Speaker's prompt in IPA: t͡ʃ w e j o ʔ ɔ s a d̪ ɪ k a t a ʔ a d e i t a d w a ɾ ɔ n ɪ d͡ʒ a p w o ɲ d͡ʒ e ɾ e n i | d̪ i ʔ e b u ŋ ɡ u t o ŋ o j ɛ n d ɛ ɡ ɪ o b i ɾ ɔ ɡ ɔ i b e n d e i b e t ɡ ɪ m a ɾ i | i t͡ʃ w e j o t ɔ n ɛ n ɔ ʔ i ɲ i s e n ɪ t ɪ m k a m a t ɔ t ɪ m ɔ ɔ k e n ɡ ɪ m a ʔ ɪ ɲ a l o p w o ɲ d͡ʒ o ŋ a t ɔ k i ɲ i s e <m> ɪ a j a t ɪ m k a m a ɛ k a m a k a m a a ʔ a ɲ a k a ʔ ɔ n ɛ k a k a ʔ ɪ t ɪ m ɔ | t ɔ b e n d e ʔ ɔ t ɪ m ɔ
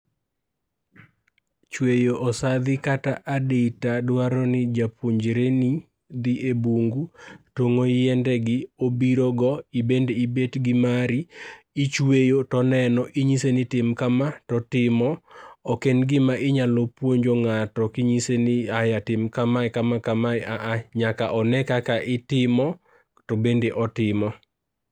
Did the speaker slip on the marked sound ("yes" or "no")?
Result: yes